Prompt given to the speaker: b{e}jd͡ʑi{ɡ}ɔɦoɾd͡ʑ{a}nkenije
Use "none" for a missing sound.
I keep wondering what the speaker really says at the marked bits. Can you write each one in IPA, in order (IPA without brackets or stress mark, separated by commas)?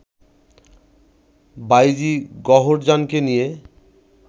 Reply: a, ɡ, a